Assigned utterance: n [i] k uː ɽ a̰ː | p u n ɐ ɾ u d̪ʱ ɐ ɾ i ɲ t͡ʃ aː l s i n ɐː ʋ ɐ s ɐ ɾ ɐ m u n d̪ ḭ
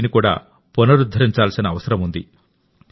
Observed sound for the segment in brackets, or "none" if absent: i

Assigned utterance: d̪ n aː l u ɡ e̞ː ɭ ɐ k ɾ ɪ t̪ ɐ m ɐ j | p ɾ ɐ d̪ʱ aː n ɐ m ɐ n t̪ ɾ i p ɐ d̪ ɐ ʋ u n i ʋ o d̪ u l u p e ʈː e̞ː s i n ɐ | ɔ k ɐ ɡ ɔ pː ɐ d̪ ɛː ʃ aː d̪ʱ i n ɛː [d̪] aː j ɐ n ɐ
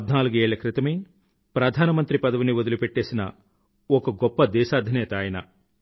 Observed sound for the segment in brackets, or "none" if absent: t̪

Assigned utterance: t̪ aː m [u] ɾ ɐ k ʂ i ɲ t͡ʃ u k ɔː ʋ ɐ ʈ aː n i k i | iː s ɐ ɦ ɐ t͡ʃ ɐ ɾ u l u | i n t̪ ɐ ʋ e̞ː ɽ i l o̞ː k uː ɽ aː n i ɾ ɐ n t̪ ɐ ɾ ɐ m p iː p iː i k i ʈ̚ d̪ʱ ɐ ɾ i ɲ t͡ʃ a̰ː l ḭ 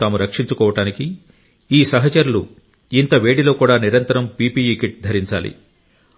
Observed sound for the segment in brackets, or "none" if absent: u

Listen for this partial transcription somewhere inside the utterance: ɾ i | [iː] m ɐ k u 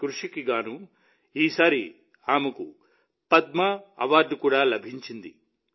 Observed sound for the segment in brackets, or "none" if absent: aː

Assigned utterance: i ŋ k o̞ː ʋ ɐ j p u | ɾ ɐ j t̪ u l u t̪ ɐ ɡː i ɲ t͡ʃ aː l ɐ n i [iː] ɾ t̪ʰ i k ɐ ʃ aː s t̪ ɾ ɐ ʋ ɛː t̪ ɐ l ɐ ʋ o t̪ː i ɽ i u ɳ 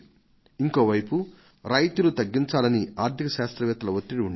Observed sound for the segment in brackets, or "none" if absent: aː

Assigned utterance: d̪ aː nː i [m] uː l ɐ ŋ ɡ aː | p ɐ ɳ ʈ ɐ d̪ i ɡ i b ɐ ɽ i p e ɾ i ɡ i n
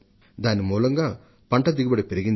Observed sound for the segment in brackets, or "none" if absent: m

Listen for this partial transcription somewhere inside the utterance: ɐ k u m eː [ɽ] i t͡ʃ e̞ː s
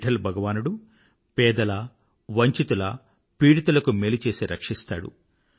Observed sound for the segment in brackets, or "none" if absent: l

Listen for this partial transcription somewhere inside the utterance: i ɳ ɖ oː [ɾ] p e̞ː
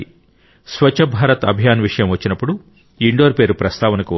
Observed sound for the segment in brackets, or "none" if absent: ɾ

